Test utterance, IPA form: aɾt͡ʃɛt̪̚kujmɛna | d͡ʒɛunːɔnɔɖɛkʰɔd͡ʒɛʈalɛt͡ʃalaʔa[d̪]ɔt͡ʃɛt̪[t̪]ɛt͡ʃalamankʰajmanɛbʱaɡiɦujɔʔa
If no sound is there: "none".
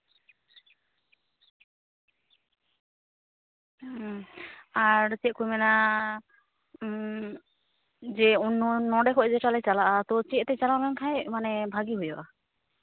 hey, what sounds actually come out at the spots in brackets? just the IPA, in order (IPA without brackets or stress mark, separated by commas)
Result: t̪, t̪